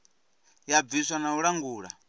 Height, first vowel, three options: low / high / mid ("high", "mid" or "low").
low